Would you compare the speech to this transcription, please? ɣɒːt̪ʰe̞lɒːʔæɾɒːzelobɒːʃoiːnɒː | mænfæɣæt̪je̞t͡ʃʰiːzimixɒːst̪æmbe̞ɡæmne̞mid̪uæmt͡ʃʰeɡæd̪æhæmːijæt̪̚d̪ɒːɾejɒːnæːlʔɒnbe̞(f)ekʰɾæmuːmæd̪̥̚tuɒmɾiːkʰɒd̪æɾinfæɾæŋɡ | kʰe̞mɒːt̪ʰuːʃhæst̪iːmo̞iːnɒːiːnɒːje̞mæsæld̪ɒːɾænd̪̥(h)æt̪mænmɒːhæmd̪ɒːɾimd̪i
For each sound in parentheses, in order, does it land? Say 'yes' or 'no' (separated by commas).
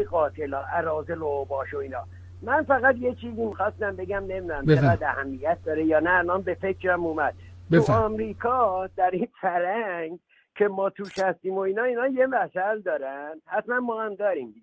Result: yes, yes